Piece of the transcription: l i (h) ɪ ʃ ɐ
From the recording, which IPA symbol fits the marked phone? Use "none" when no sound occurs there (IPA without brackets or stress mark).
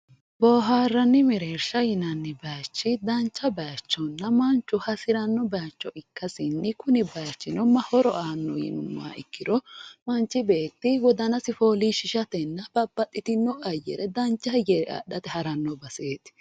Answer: ʃ